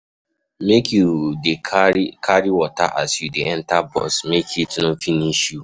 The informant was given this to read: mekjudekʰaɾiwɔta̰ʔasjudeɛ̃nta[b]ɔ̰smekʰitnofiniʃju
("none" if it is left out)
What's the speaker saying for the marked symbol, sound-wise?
b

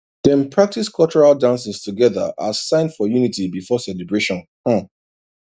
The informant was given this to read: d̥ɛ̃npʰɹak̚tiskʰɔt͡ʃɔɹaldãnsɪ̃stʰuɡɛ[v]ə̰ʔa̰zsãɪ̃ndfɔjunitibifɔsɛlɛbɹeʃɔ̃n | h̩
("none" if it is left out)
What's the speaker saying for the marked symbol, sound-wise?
ð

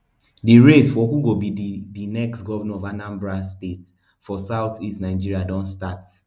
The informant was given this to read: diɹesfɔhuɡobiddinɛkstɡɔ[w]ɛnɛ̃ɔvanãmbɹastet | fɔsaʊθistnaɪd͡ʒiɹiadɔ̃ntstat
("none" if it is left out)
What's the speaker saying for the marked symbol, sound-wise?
v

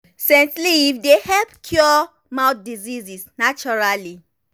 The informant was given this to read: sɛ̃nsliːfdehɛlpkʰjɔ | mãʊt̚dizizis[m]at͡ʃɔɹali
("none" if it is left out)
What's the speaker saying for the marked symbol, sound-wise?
n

